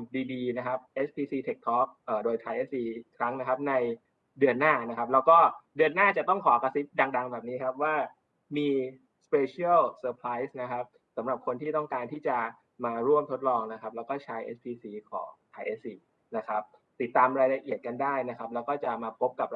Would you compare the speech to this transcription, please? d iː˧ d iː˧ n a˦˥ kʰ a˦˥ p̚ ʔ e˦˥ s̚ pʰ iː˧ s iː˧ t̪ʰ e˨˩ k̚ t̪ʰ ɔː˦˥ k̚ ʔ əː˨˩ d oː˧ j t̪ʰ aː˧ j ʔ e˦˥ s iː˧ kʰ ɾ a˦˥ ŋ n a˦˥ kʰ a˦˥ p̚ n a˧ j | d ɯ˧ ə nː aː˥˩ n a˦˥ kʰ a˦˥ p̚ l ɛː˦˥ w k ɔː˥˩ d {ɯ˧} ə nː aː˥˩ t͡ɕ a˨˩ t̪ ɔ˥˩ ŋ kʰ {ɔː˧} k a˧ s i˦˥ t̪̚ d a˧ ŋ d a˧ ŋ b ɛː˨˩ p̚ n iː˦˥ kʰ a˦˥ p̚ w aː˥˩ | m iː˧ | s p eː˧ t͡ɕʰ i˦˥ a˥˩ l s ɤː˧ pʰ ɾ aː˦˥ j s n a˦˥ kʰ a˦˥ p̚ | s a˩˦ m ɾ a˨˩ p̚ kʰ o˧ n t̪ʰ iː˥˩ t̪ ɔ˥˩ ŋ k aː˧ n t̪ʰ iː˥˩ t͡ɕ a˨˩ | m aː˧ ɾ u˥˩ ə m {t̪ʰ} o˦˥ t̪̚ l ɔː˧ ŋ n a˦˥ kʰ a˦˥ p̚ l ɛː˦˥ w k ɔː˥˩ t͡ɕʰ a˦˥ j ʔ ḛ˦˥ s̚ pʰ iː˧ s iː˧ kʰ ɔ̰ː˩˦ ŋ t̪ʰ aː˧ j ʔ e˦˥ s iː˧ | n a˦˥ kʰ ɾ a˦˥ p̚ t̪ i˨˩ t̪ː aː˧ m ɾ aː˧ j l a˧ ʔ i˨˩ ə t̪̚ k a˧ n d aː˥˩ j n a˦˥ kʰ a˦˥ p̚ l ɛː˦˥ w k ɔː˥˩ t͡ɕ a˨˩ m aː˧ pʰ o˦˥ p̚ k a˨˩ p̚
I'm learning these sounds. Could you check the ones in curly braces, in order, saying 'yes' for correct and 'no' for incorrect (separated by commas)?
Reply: yes, no, yes